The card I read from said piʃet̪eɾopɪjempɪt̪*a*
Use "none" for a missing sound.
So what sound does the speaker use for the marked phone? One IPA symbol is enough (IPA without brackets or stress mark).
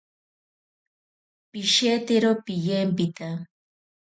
a